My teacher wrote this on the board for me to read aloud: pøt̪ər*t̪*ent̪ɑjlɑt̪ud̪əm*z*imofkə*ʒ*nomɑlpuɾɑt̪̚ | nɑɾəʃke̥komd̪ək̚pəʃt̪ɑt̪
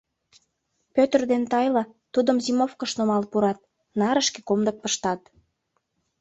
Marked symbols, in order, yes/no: no, yes, no

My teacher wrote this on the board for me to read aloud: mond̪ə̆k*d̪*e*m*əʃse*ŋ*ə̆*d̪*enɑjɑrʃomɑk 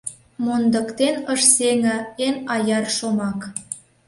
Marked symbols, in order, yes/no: no, no, yes, no

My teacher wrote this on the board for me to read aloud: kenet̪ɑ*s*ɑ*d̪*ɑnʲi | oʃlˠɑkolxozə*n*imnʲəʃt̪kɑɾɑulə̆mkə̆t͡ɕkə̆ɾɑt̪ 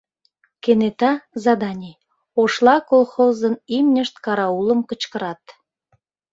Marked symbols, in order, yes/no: no, yes, yes

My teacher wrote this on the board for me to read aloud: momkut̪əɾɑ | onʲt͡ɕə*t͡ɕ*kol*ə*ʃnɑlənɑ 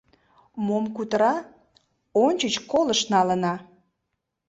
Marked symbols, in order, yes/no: yes, yes

